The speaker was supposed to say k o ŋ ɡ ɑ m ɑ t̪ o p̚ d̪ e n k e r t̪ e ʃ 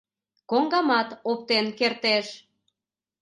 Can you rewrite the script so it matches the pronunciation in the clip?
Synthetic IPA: k o ŋ ɡ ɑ m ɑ t̪ o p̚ t̪ e n k e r t̪ e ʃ